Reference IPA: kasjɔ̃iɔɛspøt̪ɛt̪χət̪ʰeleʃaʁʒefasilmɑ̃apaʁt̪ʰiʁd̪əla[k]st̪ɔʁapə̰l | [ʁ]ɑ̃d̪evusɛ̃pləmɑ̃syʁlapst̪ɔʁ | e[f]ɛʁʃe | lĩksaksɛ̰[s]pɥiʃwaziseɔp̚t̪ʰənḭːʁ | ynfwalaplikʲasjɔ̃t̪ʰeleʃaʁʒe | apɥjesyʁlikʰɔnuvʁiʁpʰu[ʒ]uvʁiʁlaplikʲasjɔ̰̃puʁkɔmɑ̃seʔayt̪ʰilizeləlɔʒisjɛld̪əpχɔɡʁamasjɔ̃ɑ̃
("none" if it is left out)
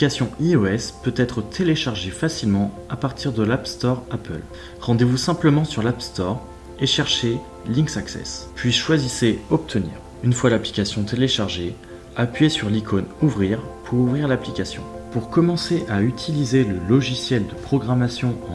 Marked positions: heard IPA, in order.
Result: p, ʁ, ʃ, s, ʁ

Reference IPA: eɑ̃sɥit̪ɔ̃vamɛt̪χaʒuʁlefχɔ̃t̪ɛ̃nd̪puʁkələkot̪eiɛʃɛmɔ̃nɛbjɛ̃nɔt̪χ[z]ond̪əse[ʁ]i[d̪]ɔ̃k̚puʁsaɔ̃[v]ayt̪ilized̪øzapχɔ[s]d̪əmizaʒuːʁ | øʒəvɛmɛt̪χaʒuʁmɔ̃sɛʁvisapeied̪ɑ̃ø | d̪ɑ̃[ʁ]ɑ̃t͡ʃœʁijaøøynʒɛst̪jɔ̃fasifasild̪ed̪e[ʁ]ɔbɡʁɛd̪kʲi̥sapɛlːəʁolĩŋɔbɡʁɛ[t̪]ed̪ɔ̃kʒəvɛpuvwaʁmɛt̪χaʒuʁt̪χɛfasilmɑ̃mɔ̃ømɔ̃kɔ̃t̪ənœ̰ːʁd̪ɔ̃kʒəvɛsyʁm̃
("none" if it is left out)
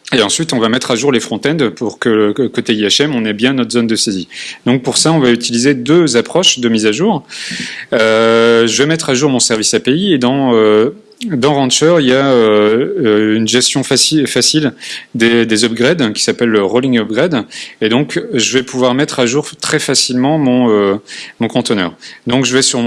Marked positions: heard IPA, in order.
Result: z, z, d̪, v, ʃ, ʁ, z, d̪

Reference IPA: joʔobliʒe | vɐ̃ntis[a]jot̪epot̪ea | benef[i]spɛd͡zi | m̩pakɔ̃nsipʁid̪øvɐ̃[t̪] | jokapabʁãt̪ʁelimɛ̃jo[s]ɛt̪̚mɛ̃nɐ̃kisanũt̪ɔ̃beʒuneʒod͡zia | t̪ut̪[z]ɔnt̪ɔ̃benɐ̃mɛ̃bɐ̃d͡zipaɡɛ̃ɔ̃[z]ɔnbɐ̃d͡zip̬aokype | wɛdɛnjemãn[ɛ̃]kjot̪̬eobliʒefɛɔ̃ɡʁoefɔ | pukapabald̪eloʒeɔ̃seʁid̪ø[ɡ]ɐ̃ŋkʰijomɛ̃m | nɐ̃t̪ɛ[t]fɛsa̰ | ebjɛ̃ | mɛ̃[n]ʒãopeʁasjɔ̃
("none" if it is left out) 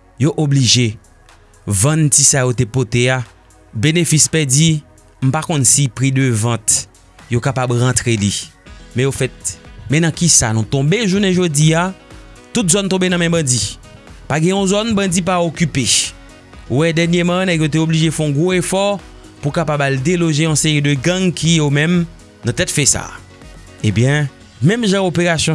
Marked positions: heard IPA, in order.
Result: a, i, t̪, f, z, z, ɛ, ɡ, t, m

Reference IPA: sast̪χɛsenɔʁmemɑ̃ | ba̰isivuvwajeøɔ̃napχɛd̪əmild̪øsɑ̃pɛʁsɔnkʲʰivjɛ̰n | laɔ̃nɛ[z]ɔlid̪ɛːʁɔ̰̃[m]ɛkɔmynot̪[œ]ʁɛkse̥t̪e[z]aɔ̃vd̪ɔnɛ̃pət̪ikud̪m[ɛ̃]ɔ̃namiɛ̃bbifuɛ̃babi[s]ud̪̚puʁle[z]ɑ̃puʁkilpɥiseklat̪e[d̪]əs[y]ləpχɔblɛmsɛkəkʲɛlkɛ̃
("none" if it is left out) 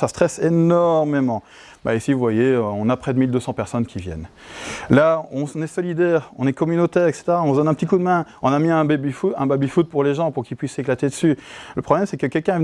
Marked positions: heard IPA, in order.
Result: s, n, ɛ, ʁ, ɛ̃, f, ʒ, d̪, y

